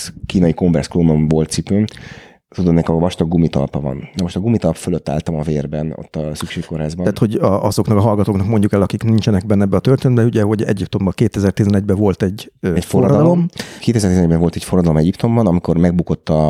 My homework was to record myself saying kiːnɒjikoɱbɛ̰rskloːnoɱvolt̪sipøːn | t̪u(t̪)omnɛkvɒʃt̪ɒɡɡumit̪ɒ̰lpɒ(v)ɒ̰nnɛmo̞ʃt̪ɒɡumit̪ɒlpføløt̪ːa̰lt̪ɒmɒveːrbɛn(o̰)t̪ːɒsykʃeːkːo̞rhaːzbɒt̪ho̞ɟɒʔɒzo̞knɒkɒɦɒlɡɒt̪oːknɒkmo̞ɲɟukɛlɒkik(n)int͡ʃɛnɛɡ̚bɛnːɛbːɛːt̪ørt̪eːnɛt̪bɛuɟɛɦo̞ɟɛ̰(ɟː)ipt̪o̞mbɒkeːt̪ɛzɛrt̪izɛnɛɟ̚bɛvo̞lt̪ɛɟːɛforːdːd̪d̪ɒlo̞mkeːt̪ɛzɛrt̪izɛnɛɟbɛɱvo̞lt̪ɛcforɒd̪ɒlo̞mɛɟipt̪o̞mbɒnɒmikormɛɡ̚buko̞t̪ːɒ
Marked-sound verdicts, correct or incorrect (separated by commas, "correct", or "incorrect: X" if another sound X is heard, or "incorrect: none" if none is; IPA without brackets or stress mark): incorrect: d̪, correct, correct, correct, incorrect: ɟ